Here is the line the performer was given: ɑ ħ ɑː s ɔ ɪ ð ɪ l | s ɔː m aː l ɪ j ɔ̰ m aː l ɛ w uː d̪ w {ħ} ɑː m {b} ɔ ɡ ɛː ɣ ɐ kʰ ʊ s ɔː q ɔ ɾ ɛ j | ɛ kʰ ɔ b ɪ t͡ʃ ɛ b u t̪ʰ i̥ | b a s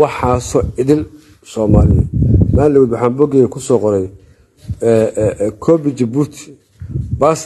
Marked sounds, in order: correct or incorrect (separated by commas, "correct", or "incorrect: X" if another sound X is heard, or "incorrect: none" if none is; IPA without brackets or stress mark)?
correct, correct